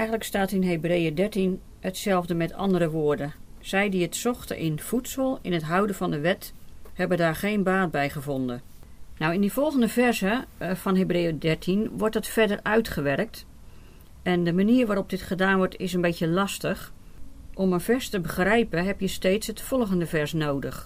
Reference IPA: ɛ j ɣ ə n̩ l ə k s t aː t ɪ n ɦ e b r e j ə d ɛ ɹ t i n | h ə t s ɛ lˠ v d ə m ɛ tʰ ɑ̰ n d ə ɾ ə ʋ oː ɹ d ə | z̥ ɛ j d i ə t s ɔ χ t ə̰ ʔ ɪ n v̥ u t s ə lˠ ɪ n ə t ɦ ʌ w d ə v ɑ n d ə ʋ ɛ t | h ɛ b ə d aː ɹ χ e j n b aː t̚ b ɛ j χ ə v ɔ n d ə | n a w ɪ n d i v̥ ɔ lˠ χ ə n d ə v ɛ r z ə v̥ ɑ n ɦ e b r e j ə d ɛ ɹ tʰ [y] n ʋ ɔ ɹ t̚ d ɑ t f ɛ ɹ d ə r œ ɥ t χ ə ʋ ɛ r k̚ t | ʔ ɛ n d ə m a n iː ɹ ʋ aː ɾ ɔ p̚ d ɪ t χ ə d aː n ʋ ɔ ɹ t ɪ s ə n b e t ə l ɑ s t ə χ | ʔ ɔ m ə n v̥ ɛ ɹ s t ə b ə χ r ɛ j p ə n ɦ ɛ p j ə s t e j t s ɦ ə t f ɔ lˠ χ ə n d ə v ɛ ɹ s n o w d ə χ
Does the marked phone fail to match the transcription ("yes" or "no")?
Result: yes